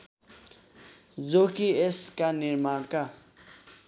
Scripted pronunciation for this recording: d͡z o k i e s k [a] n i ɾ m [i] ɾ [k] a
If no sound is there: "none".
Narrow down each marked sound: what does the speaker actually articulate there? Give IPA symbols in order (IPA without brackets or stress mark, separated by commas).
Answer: a, a, k